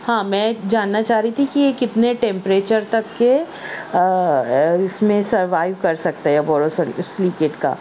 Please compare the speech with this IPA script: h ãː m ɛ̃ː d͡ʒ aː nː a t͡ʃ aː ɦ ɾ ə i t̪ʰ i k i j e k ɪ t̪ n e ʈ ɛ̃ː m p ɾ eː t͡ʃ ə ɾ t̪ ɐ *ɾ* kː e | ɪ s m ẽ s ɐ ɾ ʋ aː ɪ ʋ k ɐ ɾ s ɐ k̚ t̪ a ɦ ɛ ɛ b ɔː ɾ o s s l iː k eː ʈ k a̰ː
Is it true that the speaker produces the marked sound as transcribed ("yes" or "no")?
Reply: no